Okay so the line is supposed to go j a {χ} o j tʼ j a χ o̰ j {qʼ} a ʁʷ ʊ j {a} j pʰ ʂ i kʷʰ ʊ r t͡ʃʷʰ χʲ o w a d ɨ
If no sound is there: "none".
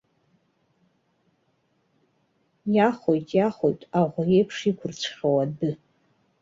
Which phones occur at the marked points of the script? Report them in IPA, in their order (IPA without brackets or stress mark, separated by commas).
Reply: χ, tʼ, e